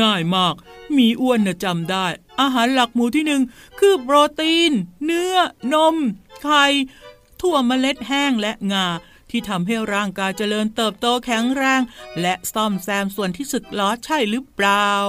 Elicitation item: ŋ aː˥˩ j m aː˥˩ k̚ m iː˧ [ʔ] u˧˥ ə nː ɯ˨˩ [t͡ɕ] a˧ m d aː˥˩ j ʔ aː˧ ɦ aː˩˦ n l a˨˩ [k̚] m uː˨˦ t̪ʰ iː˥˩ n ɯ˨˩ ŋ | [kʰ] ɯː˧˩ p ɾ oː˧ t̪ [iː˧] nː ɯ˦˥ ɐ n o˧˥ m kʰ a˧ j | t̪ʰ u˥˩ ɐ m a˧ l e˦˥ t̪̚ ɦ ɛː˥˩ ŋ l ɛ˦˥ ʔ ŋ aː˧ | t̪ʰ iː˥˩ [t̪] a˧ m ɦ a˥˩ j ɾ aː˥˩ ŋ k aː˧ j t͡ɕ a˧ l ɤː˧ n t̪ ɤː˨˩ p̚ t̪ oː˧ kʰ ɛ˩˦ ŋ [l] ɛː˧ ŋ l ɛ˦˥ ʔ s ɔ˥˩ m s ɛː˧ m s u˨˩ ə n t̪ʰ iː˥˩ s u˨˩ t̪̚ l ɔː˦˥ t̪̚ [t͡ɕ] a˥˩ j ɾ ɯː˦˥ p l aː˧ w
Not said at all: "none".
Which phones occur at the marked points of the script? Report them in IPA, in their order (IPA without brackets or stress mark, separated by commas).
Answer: ʔ, t͡ɕ, k̚, kʰ, iː˧, t̪ʰ, ɾ, t͡ɕʰ